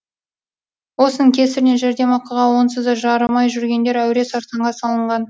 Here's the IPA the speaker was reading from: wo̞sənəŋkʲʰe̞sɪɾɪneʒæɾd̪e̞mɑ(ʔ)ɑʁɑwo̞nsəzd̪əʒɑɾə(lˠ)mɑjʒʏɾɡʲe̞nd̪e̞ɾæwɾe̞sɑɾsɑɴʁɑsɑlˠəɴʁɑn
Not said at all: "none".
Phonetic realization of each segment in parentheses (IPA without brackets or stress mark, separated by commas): q, none